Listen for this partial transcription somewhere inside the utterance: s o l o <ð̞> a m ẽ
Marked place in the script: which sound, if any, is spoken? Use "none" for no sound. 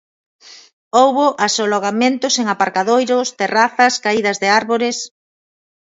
ɣ̞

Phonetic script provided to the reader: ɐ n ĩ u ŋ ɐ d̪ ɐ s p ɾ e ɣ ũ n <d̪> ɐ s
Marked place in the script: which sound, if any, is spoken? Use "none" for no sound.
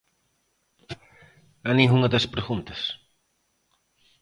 t̪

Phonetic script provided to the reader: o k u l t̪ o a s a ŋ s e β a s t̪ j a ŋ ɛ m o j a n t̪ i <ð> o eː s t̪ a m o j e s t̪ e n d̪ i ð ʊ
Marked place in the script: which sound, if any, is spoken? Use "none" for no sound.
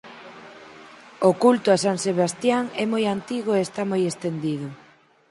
ɣ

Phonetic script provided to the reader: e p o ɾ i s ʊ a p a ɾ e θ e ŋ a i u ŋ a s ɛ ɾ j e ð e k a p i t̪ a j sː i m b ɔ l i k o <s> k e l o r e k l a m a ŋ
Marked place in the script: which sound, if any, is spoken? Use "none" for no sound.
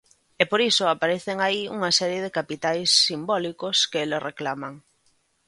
s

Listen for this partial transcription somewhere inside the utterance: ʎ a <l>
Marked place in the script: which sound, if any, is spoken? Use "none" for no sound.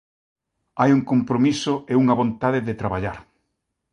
ɾ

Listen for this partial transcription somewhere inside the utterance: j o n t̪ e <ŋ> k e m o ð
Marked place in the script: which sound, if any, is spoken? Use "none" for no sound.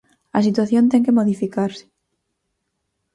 ŋ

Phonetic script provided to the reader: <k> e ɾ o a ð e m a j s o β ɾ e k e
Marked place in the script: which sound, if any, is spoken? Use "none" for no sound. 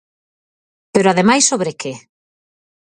p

